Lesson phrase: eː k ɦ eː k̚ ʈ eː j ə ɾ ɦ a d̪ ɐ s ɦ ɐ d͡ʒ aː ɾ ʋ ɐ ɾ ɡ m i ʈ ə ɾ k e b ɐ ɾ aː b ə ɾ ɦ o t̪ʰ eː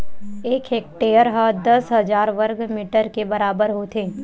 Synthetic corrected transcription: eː k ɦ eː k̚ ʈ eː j ə ɾ ɦ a d̪ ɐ s ɦ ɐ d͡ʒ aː ɾ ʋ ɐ ɾ ɡ m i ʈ ə ɾ k e b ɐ ɾ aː b ə ɾ ɦ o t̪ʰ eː